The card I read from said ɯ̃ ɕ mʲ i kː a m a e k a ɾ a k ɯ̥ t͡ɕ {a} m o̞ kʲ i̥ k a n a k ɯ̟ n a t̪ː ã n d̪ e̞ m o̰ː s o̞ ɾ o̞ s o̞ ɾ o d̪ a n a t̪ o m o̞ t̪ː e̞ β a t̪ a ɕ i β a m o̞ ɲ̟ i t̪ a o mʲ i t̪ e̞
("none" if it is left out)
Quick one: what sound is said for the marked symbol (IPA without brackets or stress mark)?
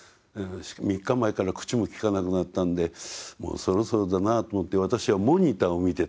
i